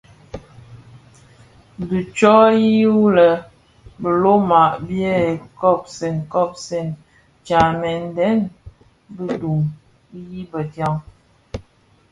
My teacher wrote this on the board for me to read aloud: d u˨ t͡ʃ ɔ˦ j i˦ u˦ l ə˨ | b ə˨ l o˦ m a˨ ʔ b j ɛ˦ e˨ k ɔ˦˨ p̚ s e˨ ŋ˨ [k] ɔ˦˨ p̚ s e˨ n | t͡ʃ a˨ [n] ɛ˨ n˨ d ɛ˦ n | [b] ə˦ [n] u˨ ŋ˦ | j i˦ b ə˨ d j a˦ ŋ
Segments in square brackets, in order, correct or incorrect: correct, incorrect: m, correct, incorrect: d

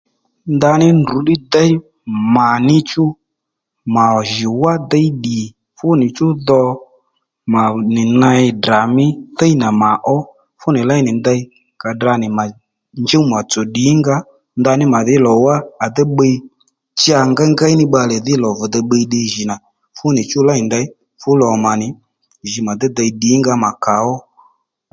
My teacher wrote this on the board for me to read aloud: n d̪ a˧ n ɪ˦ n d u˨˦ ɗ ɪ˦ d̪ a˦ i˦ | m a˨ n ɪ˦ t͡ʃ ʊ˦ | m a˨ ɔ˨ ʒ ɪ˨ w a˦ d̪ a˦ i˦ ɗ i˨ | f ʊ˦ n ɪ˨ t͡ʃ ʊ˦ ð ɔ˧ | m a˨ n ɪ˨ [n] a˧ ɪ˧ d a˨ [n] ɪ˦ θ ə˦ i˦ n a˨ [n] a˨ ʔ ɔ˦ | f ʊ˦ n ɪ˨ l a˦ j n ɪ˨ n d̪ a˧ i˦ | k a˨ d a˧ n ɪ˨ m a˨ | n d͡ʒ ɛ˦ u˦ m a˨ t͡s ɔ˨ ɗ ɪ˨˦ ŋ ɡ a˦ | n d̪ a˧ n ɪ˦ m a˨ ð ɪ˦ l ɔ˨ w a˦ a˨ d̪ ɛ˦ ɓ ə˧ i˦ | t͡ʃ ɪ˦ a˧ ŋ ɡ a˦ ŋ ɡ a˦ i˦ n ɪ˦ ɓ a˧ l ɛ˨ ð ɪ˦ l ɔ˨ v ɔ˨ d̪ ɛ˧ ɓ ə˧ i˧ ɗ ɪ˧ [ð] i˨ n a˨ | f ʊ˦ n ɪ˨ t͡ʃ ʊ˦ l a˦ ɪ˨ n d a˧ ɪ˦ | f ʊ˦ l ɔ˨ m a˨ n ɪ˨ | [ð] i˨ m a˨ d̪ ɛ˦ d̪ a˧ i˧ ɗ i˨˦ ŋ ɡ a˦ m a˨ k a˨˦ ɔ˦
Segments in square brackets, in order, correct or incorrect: correct, incorrect: m, incorrect: m, incorrect: ʒ, incorrect: ʒ

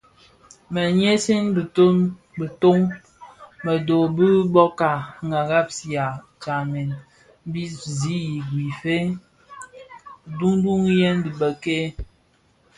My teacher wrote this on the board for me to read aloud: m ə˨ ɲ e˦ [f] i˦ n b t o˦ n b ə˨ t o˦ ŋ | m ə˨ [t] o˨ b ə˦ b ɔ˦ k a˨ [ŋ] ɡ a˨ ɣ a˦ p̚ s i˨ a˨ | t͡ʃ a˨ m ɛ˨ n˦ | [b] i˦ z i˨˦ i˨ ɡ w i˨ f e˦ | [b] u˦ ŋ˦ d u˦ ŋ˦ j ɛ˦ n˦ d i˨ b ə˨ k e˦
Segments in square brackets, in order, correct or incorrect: incorrect: s, incorrect: d, correct, correct, incorrect: d

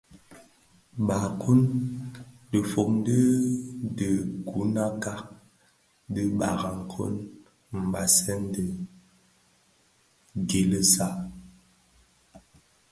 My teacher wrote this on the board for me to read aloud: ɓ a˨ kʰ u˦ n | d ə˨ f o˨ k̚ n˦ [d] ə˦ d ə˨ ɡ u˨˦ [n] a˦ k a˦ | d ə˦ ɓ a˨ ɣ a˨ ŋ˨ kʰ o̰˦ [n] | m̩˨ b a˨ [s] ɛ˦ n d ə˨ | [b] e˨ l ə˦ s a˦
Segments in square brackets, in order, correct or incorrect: correct, correct, correct, correct, incorrect: ɡ

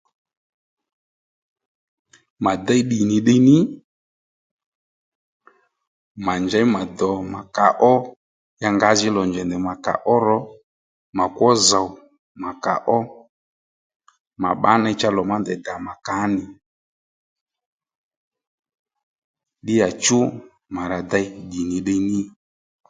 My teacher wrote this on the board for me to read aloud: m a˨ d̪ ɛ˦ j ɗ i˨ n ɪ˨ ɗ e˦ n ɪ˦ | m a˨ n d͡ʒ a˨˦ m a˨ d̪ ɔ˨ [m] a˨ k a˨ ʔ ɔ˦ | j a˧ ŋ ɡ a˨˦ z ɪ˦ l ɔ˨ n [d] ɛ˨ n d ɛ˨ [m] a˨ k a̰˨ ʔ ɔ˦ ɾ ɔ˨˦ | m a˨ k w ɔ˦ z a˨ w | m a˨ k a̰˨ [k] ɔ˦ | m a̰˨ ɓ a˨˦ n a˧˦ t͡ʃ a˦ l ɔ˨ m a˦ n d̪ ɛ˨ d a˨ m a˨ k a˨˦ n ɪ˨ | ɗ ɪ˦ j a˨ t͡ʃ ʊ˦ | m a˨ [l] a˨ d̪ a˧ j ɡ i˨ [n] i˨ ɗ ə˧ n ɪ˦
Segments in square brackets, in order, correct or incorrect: correct, incorrect: d͡ʒ, correct, incorrect: ʔ, incorrect: ɾ, correct

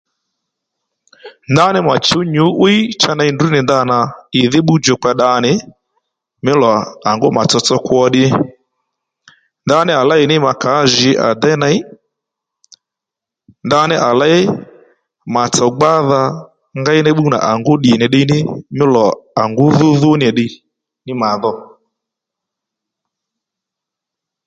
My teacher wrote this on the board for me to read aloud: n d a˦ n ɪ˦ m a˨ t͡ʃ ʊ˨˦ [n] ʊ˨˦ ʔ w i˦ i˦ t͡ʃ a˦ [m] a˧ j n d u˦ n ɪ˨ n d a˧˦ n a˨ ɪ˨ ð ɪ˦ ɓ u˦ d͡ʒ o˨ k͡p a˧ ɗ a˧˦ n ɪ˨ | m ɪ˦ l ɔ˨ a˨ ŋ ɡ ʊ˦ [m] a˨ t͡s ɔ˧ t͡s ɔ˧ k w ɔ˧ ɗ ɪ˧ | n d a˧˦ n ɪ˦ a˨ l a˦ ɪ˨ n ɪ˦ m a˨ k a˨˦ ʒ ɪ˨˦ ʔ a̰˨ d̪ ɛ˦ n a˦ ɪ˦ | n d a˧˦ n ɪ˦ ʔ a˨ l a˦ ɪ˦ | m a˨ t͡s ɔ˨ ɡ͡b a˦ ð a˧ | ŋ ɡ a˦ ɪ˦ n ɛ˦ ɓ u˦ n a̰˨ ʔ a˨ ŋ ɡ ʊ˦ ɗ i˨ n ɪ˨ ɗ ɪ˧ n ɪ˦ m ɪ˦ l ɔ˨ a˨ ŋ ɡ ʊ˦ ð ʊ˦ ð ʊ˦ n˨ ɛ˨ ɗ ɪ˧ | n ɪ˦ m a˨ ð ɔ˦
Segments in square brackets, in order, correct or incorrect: incorrect: ɲ, incorrect: n, correct

